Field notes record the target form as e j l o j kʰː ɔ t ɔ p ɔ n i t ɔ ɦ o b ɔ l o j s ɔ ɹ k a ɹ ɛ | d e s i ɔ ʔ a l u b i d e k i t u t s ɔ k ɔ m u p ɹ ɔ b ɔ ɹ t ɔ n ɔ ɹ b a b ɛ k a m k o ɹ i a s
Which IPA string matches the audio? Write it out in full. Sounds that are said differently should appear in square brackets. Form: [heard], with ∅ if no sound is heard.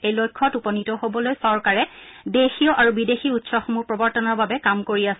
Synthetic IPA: e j l o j kʰː ɔ t [u] p ɔ n i t ɔ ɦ o b ɔ l o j s ɔ ɹ k a ɹ ɛ | d e [x] i ɔ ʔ a [ɹ] u b i d e [x] i [∅] u t s ɔ [x] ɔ m u p ɹ ɔ b ɔ ɹ t ɔ n ɔ ɹ b a b ɛ k a m k o ɹ i a s